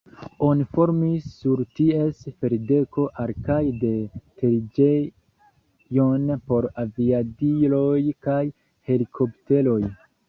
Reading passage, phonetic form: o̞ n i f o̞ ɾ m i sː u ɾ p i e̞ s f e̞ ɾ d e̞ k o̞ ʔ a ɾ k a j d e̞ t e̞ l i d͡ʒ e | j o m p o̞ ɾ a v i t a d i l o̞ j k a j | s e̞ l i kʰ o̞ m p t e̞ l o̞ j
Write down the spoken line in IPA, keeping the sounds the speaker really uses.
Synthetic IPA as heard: o̞ n i f o̞ ɾ m i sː u ɾ t i e̞ s f e̞ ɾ d e̞ k o̞ ʔ a ɾ k a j d e̞ t e̞ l i d͡ʒ e | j o n p o̞ ɾ a v i a d i l o̞ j k a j | h e̞ l i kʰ o̞ p t e̞ l o̞ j